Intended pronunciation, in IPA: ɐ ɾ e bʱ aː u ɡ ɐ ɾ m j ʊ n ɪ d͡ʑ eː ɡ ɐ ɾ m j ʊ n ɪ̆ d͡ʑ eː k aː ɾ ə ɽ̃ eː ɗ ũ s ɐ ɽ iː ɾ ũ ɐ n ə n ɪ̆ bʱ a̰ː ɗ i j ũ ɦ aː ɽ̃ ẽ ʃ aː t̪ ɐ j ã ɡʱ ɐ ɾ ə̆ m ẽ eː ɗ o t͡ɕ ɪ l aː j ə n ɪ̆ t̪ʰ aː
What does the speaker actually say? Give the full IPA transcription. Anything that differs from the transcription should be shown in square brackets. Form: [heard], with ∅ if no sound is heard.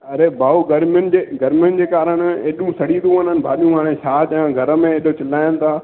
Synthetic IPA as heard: ɐ ɾ e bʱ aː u ɡ ɐ ɾ m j ʊ n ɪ d͡ʑ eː ɡ ɐ ɾ m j ʊ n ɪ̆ d͡ʑ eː k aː ɾ ə ɽ̃ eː ɗ ũ s ɐ ɽ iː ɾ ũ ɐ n ə n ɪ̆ bʱ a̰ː ɗ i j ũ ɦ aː ɽ̃ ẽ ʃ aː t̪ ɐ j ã ɡʱ ɐ ɾ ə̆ m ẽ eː ɗ o t͡ɕ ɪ l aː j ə n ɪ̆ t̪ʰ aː